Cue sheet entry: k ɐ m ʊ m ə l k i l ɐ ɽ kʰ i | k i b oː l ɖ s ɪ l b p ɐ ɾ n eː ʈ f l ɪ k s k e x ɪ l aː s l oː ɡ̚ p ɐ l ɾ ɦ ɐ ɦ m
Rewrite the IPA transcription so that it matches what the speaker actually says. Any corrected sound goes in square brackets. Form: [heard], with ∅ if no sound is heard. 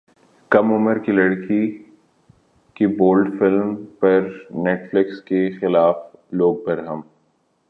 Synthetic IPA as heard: k ɐ m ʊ m ə [ɾ] k i l ɐ ɽ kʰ i | k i b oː l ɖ [f] ɪ l [m] p ɐ ɾ n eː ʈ f l ɪ k s k e x ɪ l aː [f] l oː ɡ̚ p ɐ [∅] ɾ ɦ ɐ [∅] m